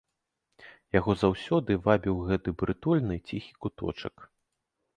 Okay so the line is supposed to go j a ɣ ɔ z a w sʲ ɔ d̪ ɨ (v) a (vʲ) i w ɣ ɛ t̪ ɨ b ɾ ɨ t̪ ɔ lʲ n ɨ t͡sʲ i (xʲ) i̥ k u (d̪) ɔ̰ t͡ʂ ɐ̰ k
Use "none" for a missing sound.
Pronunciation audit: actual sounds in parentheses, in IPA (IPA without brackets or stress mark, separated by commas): v, bʲ, xʲ, t̪